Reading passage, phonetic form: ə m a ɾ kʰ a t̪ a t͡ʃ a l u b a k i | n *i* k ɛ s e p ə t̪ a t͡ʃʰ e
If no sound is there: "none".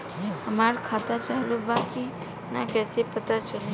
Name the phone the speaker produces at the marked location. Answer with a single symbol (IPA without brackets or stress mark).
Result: a